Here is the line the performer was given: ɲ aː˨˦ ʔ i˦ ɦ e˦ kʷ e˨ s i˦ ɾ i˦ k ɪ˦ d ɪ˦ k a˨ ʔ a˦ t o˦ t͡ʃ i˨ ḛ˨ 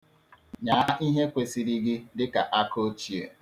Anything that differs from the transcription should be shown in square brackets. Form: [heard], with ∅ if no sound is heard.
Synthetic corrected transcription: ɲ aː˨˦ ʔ i˦ ɦ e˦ kʷ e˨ s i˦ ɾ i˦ [ɡ] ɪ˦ d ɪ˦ k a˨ ʔ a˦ [k] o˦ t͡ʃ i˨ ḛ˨